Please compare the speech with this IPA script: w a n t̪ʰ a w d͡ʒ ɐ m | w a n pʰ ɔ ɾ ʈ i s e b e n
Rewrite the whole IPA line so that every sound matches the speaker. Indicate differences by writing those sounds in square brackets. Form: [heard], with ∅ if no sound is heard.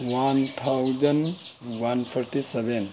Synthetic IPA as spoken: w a n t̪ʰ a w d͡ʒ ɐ [n] | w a n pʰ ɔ ɾ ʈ i s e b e n